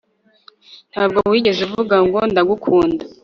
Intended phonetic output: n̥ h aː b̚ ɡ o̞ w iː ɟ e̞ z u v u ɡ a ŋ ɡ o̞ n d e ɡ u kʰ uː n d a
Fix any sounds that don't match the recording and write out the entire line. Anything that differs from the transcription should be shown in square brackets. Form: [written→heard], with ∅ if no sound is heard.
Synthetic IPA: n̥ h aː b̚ ɡ o̞ w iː ɟ e̞ z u v u ɡ a ŋ ɡ o̞ n d [e→a] ɡ u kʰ uː n d a